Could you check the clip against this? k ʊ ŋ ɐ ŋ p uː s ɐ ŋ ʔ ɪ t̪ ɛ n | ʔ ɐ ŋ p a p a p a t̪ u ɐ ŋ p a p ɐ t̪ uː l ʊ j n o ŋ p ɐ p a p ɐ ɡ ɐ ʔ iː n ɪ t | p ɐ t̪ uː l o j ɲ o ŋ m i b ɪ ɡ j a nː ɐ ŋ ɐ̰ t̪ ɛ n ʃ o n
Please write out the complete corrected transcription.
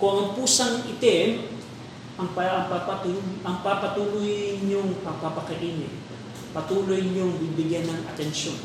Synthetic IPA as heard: k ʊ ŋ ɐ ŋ p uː s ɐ ŋ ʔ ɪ t̪ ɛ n | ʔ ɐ ŋ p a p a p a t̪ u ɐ ŋ p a p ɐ t̪ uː l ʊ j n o ŋ p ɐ p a p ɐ k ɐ ʔ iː n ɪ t | p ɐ t̪ uː l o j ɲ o ŋ b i b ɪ ɡ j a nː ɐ ŋ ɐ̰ t̪ ɛ n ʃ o n